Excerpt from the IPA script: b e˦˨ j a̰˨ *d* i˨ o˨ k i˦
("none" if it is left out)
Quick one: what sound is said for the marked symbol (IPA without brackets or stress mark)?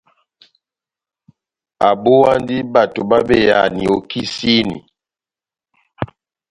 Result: n